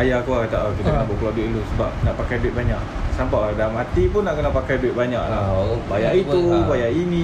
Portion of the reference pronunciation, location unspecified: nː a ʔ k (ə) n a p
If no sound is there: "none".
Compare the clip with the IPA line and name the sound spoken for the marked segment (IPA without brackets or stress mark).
ə